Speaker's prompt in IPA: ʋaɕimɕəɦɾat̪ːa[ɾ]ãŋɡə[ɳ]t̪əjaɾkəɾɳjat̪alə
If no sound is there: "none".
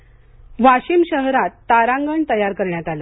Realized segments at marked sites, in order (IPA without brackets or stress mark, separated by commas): ɾ, ɳ